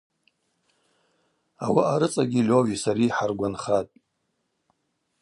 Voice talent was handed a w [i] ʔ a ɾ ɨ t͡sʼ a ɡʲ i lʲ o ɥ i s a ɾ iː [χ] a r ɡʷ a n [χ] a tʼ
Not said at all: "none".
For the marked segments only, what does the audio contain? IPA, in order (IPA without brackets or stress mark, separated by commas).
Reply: a, ħ, χ